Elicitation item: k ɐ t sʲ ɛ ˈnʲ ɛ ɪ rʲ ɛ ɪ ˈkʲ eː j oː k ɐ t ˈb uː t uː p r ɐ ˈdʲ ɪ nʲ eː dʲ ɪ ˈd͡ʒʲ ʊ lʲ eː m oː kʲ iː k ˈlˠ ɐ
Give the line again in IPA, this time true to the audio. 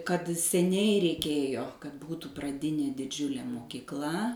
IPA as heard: k ɐ t sʲ ɛ ˈnʲ ɛ ɪ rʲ ɛ ɪ ˈkʲ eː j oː k ɐ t ˈb uː t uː p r ɐ ˈdʲ ɪ nʲ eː dʲ ɪ ˈd͡ʒʲ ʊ lʲ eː m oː kʲ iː k ˈlˠ ɐ